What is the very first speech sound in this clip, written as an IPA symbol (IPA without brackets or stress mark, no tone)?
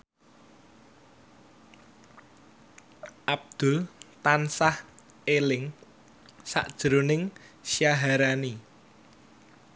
ʔ